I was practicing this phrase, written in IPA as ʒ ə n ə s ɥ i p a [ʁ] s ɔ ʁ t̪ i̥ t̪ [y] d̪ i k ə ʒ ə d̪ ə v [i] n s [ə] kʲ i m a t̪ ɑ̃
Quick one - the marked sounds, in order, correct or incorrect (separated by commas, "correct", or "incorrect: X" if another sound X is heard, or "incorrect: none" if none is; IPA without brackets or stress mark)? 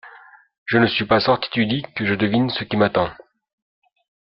incorrect: none, correct, correct, correct